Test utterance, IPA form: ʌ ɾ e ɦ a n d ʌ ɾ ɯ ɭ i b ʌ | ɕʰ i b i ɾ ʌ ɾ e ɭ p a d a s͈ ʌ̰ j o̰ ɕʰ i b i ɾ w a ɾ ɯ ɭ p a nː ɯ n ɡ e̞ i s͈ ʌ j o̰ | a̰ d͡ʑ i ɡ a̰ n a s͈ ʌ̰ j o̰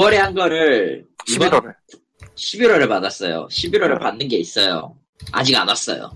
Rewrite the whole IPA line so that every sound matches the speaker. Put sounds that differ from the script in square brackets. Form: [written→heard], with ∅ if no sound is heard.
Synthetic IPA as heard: ʌ ɾ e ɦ a n [d→ɡ] ʌ ɾ ɯ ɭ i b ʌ | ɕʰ i b i ɾ ʌ ɾ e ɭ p a d a s͈ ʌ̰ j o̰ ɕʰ i b i ɾ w [a→ʌ] ɾ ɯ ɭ p a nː ɯ n ɡ e̞ i s͈ ʌ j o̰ | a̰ d͡ʑ i ɡ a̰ n a s͈ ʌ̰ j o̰